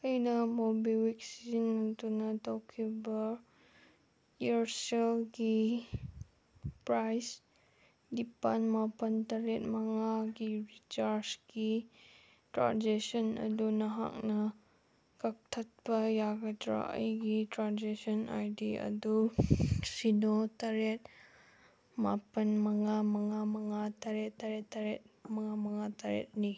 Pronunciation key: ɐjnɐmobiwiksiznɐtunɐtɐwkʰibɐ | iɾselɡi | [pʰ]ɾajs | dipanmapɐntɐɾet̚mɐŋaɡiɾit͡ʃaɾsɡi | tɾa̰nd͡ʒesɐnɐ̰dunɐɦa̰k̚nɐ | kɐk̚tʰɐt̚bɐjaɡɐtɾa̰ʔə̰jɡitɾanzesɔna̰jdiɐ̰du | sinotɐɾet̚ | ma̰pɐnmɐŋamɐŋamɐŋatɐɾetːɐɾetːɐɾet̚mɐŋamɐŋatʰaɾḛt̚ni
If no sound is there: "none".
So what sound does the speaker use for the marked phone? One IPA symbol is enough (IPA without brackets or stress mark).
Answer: p